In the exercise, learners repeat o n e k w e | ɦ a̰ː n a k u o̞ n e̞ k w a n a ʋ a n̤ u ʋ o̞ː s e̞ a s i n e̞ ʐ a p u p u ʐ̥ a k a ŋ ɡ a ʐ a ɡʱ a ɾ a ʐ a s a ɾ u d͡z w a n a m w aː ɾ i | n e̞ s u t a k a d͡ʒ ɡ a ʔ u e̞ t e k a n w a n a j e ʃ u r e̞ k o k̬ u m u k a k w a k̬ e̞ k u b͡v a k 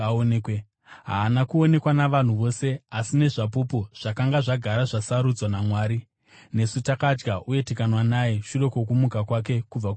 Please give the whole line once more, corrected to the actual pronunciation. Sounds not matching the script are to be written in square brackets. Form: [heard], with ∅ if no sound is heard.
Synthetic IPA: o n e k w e | ɦ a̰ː n a k u o̞ n e̞ k w a n a ʋ a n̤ u ʋ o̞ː s e̞ a s i n e̞ ʐ a p u p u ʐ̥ a k a ŋ ɡ a ʐ a ɡʱ a ɾ a ʐ a s a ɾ u d͡z w a n a m w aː ɾ i | n e̞ s u t a k a d͡ʒ ɡ a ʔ u e̞ t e k a n w a n a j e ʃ u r e̞ k o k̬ u m u k a k w a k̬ e̞ k u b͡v a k